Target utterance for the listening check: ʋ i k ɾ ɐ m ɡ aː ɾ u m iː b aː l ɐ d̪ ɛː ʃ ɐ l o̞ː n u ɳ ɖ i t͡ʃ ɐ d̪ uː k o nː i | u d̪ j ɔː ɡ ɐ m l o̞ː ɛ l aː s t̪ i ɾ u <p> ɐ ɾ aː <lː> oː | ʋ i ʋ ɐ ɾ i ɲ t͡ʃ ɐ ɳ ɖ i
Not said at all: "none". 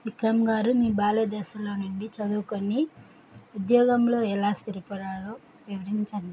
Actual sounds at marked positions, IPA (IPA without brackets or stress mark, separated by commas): p, l